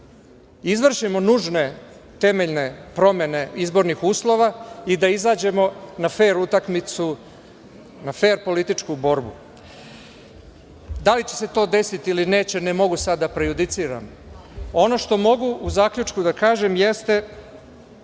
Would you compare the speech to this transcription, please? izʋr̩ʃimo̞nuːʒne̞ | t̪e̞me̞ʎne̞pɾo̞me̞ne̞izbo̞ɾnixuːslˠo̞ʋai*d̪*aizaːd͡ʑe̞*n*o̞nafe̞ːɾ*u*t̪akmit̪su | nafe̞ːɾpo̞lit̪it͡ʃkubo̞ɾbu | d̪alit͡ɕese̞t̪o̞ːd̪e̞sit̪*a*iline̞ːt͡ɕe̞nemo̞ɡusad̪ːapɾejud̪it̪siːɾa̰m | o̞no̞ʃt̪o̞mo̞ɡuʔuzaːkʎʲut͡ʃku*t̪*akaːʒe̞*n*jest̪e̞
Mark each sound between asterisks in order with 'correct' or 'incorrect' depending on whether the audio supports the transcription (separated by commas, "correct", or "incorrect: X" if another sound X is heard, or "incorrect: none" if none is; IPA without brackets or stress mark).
correct, incorrect: m, correct, incorrect: i, incorrect: d̪, incorrect: m